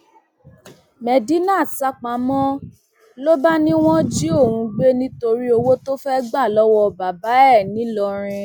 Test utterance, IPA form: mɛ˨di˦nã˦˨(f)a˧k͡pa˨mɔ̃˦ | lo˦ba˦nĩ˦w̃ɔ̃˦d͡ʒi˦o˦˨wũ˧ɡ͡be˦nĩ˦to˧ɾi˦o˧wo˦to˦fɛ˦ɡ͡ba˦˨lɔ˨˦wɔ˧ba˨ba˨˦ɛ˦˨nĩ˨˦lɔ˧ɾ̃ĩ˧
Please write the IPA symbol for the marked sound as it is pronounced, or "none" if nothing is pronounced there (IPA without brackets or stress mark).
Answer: s